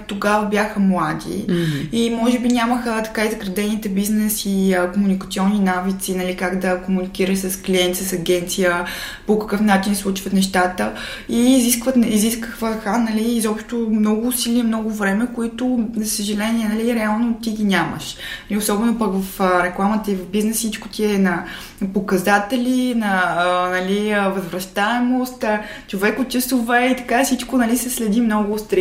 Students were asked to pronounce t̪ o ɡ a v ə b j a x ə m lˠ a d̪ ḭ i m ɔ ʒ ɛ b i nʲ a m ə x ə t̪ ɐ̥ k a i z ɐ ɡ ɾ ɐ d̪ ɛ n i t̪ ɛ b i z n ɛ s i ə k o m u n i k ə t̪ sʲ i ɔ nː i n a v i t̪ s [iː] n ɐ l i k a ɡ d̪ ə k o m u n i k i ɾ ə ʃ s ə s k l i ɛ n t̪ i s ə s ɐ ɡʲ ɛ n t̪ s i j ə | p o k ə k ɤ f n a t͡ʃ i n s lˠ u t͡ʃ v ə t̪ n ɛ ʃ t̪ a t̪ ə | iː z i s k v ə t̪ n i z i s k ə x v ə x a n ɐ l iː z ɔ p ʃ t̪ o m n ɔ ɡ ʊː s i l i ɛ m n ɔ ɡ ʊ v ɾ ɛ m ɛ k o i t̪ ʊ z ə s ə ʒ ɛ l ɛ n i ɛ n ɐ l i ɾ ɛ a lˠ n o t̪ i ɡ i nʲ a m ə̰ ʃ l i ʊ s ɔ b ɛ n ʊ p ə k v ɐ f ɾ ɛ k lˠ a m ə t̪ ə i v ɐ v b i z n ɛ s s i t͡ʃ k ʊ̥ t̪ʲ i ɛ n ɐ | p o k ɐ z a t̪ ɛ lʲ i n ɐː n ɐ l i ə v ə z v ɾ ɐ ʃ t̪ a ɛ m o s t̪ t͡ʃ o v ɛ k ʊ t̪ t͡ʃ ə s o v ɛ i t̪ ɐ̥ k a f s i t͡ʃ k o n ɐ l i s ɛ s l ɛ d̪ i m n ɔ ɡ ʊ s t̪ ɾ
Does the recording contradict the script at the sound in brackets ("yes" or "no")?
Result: yes